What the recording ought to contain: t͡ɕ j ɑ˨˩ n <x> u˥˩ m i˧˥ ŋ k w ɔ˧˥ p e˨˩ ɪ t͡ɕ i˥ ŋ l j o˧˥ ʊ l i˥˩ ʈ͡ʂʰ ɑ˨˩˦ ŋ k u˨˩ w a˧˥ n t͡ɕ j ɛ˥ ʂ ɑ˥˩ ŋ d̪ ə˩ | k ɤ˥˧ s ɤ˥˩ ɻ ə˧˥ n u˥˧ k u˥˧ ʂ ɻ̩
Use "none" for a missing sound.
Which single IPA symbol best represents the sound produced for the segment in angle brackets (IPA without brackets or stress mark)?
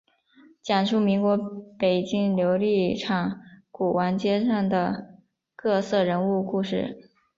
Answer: ʂ